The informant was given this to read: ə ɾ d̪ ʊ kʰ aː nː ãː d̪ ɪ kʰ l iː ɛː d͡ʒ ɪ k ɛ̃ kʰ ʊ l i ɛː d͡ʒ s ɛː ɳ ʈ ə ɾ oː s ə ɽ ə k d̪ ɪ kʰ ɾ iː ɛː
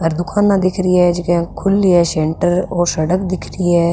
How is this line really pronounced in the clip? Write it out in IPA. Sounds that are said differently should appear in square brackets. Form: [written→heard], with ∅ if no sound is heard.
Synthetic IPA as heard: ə ɾ d̪ ʊ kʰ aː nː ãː d̪ ɪ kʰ [l→ɾ] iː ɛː d͡ʒ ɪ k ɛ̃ kʰ ʊ l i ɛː [d͡ʒ→∅] s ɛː ɳ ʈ ə ɾ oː s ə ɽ ə k d̪ ɪ kʰ ɾ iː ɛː